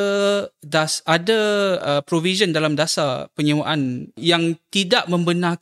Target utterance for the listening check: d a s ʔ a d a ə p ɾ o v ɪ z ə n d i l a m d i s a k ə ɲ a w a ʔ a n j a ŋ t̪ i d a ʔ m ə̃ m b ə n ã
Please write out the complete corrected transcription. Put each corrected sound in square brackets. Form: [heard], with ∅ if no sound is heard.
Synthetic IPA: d a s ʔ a d a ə p ɾ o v [i] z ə n d [a] l a m d [a] s a [p] ə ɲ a w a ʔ a n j a ŋ t̪ i d a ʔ m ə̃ m b ə n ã